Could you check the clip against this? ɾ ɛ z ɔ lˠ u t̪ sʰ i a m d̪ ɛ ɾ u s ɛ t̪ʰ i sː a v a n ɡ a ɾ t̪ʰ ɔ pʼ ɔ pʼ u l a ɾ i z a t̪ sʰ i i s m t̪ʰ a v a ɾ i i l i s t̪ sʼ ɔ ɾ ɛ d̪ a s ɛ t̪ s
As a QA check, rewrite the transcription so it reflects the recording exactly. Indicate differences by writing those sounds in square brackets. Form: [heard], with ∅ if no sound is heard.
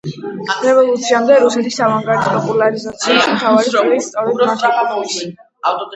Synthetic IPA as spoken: ɾ ɛ [v] ɔ lˠ u t̪ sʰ i a m d̪ ɛ ɾ u s ɛ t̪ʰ i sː a v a [ŋ] ɡ a ɾ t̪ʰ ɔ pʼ ɔ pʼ u l a ɾ i z a t̪ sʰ i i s m t̪ʰ a v a ɾ i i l i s t̪ sʼ ɔ ɾ ɛ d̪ a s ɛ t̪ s